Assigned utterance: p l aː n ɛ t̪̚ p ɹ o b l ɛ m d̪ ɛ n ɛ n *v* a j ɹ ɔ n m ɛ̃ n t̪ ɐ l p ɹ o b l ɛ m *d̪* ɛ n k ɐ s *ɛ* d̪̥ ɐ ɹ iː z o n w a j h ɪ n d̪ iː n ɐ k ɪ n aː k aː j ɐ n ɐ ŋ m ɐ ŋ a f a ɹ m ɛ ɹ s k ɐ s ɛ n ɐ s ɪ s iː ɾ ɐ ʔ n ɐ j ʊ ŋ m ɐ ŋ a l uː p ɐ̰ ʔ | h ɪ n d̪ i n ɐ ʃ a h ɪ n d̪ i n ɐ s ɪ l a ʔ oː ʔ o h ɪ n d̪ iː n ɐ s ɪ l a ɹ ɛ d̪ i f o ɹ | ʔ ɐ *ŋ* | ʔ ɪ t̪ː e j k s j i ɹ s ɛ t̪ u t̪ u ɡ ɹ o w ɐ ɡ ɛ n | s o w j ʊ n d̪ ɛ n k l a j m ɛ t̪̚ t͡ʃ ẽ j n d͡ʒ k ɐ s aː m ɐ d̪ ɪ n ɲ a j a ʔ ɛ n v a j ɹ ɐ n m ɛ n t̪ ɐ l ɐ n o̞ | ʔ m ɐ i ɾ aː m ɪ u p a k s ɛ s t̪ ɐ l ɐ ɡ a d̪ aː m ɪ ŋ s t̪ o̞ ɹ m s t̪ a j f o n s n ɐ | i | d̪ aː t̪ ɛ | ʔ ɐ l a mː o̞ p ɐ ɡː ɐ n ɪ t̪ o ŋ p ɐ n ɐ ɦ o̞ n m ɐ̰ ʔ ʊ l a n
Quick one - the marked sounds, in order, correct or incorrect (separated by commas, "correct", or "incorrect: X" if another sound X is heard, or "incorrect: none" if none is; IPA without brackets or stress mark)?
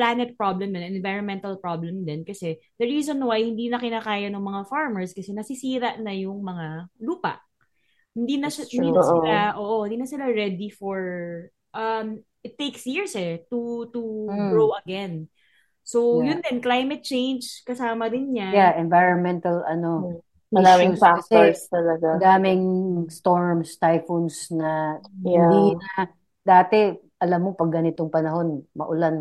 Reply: correct, correct, correct, incorrect: m